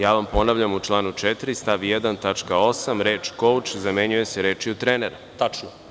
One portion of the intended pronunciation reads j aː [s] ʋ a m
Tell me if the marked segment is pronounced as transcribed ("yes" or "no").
no